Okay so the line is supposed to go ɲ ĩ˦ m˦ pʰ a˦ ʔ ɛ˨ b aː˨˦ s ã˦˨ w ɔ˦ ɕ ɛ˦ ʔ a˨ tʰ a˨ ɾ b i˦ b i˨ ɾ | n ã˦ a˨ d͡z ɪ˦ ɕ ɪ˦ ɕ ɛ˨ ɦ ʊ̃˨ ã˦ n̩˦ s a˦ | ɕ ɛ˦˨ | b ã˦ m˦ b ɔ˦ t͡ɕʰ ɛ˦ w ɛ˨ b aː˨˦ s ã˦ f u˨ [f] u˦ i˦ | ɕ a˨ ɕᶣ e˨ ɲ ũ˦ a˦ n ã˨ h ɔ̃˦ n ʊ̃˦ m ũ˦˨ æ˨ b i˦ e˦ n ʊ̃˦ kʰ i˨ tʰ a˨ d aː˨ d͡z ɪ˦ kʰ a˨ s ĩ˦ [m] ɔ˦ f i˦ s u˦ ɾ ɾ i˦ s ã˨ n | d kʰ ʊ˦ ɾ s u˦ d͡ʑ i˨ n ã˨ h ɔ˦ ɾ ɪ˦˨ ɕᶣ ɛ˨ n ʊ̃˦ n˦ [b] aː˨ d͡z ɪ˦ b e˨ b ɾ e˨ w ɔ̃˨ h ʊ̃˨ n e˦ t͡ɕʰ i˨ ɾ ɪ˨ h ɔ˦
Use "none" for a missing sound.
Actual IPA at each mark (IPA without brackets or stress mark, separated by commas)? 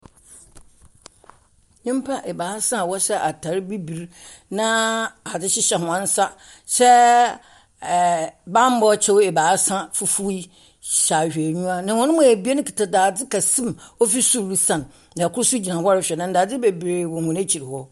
f, m, d